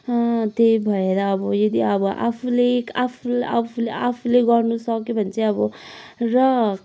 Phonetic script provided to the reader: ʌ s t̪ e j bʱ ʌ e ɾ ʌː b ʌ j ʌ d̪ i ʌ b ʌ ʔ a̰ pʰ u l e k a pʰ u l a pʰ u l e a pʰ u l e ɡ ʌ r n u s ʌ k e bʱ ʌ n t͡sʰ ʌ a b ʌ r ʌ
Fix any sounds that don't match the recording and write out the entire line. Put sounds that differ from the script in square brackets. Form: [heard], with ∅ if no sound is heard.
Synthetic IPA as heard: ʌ [∅] t̪ e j bʱ ʌ e ɾ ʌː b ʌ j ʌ d̪ i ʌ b ʌ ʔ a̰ pʰ u l e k a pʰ u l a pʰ u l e a pʰ u l e ɡ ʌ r n u s ʌ k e bʱ ʌ n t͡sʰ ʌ [ʌ] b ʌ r ʌ